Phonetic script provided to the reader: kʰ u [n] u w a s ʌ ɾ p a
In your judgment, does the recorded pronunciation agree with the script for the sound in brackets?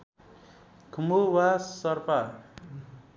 no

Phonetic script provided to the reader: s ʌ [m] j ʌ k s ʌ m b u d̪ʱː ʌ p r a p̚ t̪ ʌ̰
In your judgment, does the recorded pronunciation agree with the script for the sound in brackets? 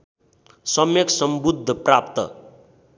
yes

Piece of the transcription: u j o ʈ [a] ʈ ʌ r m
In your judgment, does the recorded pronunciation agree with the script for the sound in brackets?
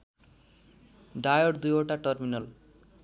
yes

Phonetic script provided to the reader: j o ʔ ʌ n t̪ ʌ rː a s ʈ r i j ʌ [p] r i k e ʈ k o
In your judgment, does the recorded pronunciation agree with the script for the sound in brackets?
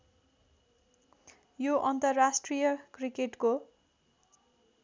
no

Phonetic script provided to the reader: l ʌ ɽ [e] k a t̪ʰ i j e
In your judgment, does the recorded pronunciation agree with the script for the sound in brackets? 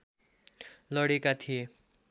yes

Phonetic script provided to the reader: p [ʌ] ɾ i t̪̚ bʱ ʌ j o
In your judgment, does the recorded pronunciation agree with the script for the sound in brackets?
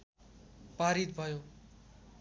no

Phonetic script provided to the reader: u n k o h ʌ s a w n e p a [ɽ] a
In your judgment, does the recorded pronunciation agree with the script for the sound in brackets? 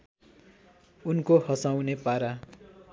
no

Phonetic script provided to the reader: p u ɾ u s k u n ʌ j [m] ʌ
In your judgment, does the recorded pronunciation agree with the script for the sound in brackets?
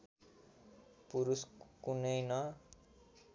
no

